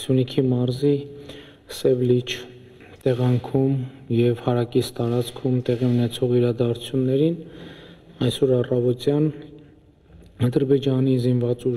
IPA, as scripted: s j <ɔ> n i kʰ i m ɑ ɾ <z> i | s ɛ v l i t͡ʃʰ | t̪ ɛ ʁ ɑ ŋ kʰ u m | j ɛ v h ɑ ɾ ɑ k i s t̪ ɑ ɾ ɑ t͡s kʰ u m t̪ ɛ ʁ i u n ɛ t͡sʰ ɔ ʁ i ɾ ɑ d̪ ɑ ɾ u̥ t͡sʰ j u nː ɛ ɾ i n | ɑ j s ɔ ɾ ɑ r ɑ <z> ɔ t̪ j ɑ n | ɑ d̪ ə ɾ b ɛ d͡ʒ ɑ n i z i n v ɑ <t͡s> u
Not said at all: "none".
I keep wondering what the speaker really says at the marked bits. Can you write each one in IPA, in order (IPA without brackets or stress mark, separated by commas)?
u, z, v, t͡s